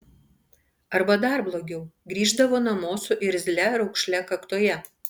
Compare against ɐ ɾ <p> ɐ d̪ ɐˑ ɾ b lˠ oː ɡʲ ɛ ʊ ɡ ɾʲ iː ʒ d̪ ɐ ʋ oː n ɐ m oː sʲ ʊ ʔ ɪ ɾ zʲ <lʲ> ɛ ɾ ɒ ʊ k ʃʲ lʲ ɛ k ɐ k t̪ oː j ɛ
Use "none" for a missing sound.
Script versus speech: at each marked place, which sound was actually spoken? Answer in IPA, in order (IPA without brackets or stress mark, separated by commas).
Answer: b, lʲ